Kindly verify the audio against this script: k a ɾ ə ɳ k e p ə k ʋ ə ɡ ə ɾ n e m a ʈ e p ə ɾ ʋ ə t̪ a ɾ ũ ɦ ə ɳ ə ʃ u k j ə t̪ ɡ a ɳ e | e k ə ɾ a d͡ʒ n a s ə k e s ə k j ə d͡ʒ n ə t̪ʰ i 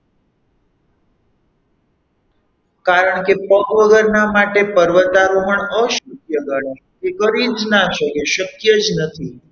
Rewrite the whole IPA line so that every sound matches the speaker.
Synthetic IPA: k a ɾ ə ɳ k e p ə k ʋ ə ɡ ə ɾ n a m a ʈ e p ə ɾ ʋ ə t̪ a ɾ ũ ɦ ə ɳ ə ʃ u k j ə ɡ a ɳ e | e k ə ɾ i d͡ʒ n a ʃ ə k e ʃ ə k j ə d͡ʒ n ə t̪ʰ i

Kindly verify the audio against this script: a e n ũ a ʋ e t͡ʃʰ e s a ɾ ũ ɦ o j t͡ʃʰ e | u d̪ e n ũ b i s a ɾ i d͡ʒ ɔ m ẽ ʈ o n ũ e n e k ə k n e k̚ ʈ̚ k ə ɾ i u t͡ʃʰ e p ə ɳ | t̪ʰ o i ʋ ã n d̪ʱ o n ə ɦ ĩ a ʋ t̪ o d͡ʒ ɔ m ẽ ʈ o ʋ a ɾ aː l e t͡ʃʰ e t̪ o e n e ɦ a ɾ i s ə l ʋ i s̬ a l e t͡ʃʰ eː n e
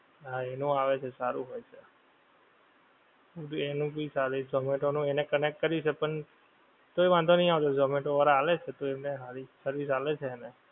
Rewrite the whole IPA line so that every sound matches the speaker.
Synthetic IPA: a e n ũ a ʋ e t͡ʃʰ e s a ɾ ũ ɦ o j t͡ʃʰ e | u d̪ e n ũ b i s a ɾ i d͡ʒ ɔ m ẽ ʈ o n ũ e n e k ə n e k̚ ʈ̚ k ə ɾ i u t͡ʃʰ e p ə ɳ | t̪ o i ʋ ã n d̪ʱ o n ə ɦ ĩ a ʋ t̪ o d͡ʒ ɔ m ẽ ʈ o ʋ a ɾ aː l e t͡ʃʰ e t̪ o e n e ɦ a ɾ i s ə ɾ ʋ i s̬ a l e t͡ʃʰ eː n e

